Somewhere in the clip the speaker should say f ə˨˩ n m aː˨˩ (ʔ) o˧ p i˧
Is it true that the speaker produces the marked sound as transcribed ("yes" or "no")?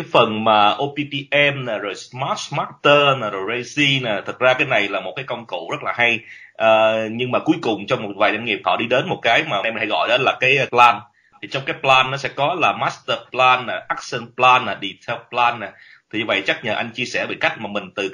yes